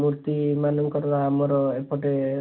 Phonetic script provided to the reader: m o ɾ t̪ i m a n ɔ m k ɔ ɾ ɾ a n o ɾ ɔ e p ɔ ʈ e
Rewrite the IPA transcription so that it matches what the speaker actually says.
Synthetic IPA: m u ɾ t̪ i m a n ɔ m k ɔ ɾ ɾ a m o ɾ ɔ e p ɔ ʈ e